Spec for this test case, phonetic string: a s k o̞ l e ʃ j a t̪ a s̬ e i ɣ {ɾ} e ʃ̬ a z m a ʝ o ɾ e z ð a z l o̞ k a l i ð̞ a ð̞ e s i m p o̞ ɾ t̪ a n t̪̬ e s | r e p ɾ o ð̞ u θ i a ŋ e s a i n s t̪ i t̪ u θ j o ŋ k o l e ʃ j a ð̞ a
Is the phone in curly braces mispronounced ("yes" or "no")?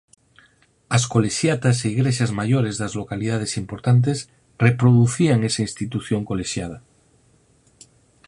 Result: no